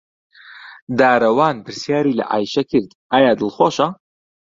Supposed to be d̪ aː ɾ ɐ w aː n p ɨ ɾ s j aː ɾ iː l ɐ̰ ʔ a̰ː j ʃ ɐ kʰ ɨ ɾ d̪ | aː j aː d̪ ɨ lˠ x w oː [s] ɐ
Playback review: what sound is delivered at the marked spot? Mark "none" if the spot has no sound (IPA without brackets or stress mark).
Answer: ʃ